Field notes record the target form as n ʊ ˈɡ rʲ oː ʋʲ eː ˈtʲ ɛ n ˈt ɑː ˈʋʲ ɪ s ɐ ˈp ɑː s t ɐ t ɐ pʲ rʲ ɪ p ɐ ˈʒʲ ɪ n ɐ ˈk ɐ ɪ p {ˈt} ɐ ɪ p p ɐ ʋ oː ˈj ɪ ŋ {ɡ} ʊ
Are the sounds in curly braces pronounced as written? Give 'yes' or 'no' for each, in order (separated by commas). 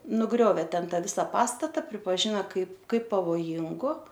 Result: no, yes